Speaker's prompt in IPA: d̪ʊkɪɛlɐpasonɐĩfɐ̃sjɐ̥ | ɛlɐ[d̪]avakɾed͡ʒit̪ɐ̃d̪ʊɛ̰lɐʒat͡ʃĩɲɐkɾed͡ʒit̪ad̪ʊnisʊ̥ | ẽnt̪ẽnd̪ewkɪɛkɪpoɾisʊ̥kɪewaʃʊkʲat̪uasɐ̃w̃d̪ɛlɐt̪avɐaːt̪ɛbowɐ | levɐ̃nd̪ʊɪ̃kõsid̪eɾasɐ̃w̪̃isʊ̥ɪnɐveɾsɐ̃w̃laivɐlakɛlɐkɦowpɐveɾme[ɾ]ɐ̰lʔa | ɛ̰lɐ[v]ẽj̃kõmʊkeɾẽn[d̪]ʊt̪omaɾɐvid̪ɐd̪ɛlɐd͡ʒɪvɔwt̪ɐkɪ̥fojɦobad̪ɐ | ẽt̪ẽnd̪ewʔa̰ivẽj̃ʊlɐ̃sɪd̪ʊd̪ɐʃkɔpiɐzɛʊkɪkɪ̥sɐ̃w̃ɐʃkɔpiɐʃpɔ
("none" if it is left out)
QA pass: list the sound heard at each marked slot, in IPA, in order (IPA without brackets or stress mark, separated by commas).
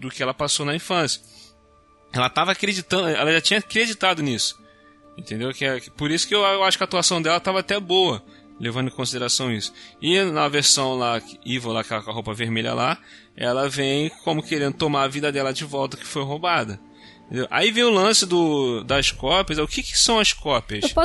t̪, ʎ, v, d̪